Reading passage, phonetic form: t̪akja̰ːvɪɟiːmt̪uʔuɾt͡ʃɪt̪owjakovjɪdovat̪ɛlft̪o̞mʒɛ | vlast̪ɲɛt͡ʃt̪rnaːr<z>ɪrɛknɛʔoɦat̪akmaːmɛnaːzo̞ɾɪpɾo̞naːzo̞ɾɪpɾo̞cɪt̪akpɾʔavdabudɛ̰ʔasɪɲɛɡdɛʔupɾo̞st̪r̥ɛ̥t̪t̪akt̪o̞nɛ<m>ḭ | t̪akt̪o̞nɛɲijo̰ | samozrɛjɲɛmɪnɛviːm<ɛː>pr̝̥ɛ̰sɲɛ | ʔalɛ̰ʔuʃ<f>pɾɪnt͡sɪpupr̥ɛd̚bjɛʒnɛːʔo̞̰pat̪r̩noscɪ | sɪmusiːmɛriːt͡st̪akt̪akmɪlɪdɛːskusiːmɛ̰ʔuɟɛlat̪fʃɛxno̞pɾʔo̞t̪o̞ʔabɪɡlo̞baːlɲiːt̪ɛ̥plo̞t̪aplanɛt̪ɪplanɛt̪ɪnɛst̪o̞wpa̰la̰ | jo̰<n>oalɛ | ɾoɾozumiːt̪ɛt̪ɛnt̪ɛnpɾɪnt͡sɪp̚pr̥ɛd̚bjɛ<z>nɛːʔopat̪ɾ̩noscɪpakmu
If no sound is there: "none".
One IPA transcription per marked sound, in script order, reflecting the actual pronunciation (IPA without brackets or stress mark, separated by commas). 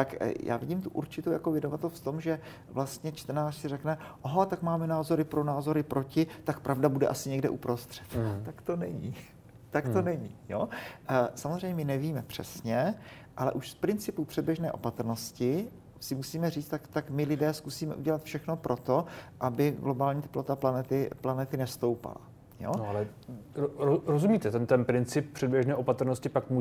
s, ɲ, ɛ, s, n, ʒ